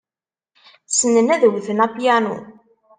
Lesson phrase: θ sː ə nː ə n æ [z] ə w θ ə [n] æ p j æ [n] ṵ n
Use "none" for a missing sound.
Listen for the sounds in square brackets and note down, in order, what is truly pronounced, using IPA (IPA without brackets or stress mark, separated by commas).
ð, n, n